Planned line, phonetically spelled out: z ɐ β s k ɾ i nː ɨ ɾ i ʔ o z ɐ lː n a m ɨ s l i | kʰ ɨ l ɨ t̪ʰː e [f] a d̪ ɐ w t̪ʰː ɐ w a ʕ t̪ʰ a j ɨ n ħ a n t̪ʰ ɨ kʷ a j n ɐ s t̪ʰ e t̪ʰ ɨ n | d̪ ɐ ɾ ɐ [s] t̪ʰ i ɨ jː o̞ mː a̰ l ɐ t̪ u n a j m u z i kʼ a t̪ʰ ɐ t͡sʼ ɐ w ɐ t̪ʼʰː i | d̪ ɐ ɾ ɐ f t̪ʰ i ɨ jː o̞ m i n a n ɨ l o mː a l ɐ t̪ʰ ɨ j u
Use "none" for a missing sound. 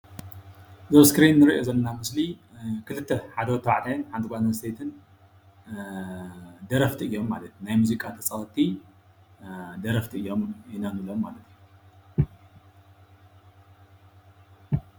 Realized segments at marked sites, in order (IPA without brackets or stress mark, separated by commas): ħ, f